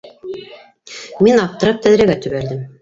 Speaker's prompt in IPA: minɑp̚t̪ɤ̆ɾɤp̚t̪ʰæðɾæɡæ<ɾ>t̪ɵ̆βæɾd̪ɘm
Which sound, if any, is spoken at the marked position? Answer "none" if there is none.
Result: none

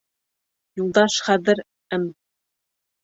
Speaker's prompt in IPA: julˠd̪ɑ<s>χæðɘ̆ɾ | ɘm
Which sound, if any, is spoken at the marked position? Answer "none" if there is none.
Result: ʃ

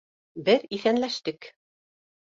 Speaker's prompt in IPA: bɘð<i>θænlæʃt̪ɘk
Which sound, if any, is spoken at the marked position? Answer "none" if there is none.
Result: i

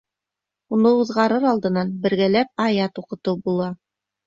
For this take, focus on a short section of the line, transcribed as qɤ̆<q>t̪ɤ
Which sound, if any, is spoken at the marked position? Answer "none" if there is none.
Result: none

